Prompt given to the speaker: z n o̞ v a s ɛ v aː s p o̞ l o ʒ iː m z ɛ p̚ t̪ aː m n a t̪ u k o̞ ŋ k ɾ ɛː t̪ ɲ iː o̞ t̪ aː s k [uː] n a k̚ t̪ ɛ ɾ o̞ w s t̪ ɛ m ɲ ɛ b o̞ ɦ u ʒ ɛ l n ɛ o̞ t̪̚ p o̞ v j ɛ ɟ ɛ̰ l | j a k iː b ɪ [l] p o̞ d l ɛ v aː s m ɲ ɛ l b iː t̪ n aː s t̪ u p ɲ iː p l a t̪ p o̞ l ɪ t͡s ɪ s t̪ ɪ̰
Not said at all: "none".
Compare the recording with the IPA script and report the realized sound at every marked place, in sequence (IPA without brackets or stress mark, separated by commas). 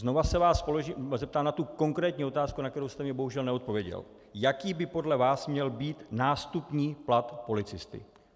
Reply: u, none